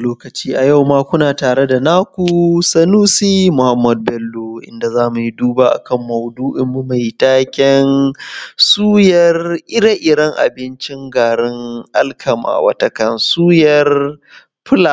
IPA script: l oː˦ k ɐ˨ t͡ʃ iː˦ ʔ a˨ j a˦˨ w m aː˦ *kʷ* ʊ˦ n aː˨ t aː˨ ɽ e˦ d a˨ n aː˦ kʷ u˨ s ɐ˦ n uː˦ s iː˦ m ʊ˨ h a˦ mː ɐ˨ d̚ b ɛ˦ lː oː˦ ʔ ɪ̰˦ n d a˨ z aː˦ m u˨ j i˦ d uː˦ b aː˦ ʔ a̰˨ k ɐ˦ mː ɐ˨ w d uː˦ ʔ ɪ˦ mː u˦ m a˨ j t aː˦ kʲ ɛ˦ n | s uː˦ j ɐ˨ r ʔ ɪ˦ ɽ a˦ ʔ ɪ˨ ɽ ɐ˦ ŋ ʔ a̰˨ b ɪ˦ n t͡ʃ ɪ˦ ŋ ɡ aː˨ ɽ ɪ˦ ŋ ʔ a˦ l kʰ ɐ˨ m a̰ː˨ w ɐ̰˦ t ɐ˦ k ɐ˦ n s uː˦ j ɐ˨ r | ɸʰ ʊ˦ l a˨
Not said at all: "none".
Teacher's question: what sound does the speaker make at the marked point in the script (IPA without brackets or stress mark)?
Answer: kʷ